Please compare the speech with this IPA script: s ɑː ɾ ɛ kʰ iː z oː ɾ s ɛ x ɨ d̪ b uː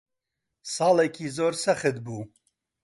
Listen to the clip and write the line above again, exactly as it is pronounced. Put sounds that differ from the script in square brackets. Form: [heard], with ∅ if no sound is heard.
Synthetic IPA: s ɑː [l] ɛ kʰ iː z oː ɾ s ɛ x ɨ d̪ b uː